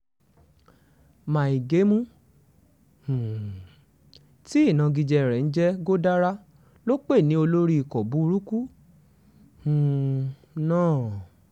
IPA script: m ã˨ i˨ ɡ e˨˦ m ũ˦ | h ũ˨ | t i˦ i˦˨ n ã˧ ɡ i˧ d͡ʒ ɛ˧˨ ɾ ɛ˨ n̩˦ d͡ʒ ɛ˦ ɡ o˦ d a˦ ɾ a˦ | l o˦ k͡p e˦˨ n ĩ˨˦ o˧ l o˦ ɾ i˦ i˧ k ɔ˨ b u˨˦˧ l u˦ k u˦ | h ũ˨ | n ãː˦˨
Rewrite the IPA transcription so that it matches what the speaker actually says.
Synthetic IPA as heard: m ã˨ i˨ ɡ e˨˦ m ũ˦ | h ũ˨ | t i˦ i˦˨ n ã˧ ɡ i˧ d͡ʒ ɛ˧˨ ɾ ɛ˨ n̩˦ d͡ʒ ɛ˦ ɡ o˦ d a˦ ɾ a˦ | l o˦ k͡p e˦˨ n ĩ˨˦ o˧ l o˦ ɾ i˦ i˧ k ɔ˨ b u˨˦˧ ɾ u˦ k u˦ | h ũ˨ | n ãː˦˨